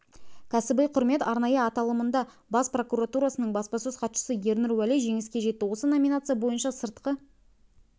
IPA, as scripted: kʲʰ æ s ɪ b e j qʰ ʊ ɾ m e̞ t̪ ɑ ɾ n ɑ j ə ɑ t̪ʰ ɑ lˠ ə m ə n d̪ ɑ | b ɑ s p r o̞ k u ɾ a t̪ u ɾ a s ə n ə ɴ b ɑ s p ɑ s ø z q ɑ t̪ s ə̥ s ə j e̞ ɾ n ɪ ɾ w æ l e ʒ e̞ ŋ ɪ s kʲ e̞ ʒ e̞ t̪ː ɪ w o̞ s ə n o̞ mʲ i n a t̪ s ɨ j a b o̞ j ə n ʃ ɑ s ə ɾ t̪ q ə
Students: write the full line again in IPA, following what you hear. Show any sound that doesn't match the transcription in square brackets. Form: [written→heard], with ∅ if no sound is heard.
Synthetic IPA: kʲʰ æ s ɪ b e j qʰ ʊ ɾ m e̞ t̪ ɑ ɾ n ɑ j ə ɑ [t̪ʰ→t̪] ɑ lˠ ə m ə n d̪ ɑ | b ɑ s p r o̞ k u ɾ a t̪ u ɾ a s ə n ə ɴ b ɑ s p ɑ s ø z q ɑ t̪ [s→ʃ] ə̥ s ə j e̞ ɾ n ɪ ɾ w æ l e ʒ e̞ ŋ ɪ s kʲ e̞ ʒ e̞ t̪ː ɪ w o̞ s ə n o̞ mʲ i n a t̪ s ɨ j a b o̞ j ə n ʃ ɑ s ə ɾ t̪ q ə

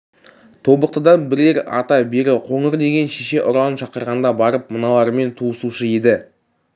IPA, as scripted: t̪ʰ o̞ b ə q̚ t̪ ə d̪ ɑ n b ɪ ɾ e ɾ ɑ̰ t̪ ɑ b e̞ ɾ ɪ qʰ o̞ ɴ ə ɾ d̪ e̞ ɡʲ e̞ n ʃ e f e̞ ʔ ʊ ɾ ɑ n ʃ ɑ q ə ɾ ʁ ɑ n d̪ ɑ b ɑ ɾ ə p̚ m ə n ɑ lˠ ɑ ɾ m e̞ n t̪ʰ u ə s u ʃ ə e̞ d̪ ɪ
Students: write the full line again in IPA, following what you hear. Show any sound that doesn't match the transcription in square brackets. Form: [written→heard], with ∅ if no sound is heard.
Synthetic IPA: t̪ʰ o̞ b ə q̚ t̪ ə d̪ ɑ n b ɪ ɾ e ɾ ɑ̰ t̪ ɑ b e̞ ɾ ɪ qʰ o̞ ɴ ə ɾ d̪ e̞ ɡʲ e̞ n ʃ e [f→ʃ] e̞ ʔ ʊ ɾ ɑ n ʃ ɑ q ə ɾ ʁ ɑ n d̪ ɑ b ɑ ɾ ə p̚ m ə n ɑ lˠ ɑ ɾ m e̞ n t̪ʰ u ə s u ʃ ə e̞ d̪ ɪ

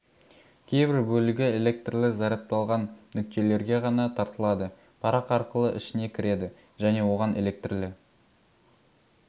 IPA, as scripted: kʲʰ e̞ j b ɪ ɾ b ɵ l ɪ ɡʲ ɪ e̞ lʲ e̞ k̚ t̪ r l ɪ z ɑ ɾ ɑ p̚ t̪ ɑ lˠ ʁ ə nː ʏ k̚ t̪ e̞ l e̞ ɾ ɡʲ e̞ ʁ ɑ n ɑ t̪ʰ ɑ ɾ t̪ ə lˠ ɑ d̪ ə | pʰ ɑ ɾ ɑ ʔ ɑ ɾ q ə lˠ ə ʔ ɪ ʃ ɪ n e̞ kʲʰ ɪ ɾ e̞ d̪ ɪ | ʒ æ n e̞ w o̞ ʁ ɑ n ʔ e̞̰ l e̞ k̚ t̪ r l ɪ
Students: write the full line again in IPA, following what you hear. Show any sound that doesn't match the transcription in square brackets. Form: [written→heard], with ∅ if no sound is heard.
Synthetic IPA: kʲʰ e̞ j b ɪ ɾ b ɵ l ɪ ɡʲ ɪ e̞ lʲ e̞ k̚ t̪ r l ɪ z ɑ ɾ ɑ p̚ t̪ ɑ lˠ ʁ [ə→ɑ] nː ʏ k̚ t̪ e̞ l e̞ ɾ ɡʲ e̞ ʁ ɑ n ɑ t̪ʰ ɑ ɾ t̪ ə lˠ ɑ d̪ ə | pʰ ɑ ɾ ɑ [ʔ→q] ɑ ɾ q ə lˠ ə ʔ ɪ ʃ ɪ n e̞ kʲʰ ɪ ɾ e̞ d̪ ɪ | ʒ æ n e̞ w o̞ ʁ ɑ n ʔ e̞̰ l e̞ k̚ t̪ r l ɪ

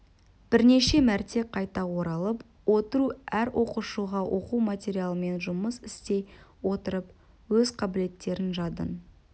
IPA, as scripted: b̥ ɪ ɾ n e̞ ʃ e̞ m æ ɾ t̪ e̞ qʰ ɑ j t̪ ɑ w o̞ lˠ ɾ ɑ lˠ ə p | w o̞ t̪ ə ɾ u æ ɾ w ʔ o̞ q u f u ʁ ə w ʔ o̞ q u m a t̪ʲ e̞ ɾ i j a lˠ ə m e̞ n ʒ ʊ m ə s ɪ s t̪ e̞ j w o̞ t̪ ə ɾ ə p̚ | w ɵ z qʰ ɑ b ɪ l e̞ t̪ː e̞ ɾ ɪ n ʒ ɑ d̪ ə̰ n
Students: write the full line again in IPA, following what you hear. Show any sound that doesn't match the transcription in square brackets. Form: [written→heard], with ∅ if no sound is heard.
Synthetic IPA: b̥ ɪ ɾ n e̞ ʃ e̞ m æ ɾ t̪ e̞ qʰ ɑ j t̪ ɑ w o̞ [lˠ→∅] ɾ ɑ lˠ ə p | w o̞ t̪ ə ɾ u æ ɾ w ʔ o̞ q u [f→ʃ] u ʁ [ə→ɑ] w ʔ o̞ q u m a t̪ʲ e̞ ɾ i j a lˠ ə m e̞ n ʒ ʊ m ə s ɪ s t̪ e̞ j w o̞ t̪ ə ɾ ə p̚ | w ɵ z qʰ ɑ b ɪ l e̞ t̪ː e̞ ɾ ɪ n ʒ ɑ d̪ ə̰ n

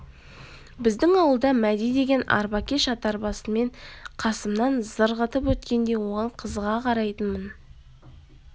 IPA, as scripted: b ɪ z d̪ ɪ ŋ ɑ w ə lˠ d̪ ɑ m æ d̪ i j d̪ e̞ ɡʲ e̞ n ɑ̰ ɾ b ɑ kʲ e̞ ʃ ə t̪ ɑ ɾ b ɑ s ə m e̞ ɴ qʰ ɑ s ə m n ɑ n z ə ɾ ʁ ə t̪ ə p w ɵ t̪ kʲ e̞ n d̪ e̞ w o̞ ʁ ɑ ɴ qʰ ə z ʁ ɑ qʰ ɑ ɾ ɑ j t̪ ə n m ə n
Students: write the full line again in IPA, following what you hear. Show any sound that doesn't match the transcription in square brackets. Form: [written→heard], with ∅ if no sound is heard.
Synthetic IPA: b ɪ z d̪ ɪ ŋ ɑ w ə lˠ d̪ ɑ m æ d̪ i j d̪ e̞ ɡʲ e̞ n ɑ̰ ɾ b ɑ kʲ e̞ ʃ [ə→ɑ] t̪ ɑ ɾ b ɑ s ə m e̞ ɴ qʰ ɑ s ə m n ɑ n z ə ɾ ʁ ə t̪ ə p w ɵ t̪ kʲ e̞ n d̪ e̞ w o̞ ʁ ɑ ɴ qʰ ə z ʁ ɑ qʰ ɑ ɾ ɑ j t̪ ə n m ə n

